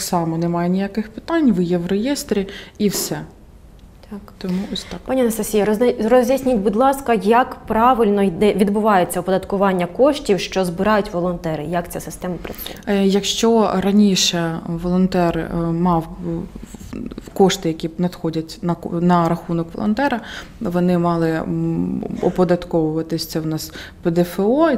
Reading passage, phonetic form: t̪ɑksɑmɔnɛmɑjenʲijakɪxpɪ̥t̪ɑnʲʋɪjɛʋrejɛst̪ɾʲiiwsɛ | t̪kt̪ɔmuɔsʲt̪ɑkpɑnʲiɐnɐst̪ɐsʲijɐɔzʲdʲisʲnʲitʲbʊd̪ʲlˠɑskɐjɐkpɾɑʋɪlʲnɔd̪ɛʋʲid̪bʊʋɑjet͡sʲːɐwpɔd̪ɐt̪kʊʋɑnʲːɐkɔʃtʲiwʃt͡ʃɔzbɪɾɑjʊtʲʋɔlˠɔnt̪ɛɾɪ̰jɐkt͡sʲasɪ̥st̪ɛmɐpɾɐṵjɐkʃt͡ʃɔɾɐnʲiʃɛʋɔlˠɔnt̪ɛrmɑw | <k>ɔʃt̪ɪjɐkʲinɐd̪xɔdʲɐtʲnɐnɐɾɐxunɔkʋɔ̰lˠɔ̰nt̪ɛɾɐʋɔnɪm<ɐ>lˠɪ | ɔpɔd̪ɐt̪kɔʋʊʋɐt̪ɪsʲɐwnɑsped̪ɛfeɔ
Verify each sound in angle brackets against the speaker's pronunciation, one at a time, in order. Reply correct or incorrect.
correct, incorrect

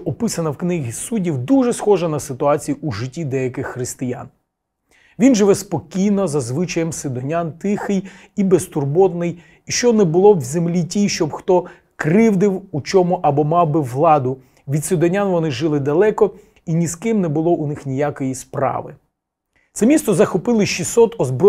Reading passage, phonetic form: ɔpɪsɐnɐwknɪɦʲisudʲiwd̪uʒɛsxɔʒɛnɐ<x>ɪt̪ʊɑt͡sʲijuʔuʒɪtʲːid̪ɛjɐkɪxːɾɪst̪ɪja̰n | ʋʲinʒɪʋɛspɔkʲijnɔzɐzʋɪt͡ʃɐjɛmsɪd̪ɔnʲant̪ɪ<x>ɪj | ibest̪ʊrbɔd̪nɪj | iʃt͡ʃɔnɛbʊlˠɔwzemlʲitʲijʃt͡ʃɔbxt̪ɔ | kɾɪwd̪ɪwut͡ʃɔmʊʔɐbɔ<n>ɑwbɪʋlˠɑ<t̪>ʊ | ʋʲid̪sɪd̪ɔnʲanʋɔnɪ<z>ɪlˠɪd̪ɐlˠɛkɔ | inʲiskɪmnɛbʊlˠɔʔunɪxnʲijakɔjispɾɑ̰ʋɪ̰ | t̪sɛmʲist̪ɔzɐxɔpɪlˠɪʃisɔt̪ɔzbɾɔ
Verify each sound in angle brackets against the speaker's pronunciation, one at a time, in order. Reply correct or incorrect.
incorrect, correct, incorrect, incorrect, incorrect

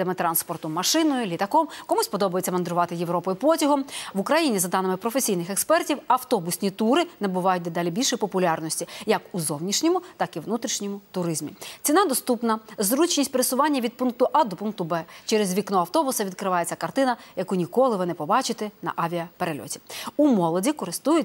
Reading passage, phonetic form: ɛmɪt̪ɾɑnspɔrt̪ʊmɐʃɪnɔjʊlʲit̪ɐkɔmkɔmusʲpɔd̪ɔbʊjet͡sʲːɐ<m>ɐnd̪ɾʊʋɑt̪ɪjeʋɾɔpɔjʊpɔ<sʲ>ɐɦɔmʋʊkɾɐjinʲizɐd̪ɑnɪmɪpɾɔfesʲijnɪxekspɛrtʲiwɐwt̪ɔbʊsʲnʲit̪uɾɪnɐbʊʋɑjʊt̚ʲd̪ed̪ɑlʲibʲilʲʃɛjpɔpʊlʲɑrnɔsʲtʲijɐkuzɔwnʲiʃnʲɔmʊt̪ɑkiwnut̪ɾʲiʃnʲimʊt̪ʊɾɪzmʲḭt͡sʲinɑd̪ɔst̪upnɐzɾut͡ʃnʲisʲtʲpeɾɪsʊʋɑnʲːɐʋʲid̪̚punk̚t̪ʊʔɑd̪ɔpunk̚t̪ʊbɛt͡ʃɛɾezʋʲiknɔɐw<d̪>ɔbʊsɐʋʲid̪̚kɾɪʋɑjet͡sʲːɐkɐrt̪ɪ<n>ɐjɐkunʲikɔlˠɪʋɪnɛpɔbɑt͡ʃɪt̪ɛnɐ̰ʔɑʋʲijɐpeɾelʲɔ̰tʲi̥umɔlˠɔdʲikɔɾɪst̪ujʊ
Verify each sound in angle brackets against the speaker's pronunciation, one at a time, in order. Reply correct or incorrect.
correct, incorrect, incorrect, correct

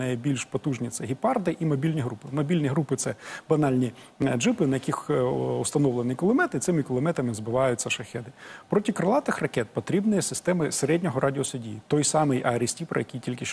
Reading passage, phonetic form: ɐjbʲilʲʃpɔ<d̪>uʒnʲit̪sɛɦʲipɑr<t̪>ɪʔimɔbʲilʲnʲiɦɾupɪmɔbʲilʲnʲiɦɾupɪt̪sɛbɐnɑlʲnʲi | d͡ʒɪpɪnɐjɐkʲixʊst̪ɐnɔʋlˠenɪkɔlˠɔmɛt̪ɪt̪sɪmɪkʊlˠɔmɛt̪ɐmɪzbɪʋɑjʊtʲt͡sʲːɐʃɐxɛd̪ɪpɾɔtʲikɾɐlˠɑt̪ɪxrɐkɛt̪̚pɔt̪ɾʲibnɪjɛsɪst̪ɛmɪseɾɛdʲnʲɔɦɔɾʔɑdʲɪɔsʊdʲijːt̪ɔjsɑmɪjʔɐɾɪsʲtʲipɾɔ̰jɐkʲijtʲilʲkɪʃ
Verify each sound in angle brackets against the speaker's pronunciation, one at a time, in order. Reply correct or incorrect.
incorrect, incorrect

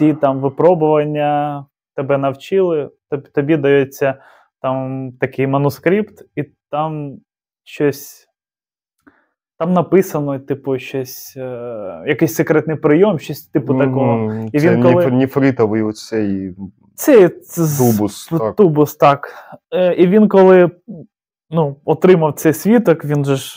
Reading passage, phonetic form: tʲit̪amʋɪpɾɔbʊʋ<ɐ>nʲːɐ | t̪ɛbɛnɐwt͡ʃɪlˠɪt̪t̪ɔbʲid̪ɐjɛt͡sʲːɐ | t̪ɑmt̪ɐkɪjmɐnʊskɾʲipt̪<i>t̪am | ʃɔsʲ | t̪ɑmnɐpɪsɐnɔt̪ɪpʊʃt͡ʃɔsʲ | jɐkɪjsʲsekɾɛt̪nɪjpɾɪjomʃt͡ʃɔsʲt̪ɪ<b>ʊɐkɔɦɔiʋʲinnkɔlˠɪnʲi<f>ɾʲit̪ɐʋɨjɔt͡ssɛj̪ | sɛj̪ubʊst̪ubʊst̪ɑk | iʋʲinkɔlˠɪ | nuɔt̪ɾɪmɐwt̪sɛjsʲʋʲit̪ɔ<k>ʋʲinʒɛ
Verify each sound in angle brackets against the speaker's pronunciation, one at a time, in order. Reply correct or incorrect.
correct, correct, incorrect, correct, correct

